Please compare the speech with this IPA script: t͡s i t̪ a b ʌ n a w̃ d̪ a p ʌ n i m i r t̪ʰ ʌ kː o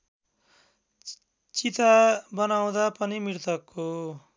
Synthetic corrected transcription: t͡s i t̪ a b ʌ n a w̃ d̪ a p ʌ n i m i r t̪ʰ ʌ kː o